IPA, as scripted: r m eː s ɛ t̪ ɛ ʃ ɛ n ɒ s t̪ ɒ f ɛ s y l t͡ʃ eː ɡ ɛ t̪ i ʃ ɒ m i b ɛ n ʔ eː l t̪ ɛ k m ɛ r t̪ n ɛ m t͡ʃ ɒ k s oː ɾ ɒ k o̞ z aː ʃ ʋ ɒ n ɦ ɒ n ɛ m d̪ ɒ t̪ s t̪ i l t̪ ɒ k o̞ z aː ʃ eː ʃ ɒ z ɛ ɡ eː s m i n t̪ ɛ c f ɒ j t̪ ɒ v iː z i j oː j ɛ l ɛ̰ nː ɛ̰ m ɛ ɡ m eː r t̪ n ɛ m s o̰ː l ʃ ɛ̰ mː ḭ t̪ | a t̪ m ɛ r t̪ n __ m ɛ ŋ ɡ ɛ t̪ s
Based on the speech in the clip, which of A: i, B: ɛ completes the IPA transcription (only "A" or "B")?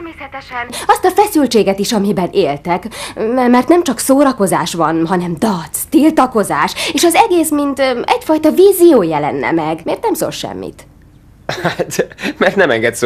B